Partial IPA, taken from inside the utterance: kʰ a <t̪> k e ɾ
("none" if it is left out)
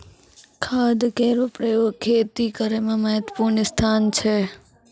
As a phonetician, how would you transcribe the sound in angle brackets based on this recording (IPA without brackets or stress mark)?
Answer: d̪